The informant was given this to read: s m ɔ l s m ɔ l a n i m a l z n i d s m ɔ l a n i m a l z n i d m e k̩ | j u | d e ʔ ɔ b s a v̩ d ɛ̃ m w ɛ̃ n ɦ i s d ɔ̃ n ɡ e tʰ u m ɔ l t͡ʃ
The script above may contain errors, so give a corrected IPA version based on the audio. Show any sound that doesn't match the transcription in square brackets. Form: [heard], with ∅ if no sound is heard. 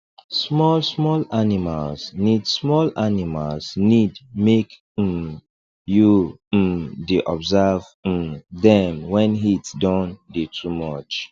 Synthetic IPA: s m ɔ l s m ɔ l a n i m a l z n i d s m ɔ l a n i m a l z n i d m e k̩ | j u | d e ʔ ɔ b [z] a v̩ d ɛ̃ m w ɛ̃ n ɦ i [t] d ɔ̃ n [d] e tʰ u m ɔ [∅] t͡ʃ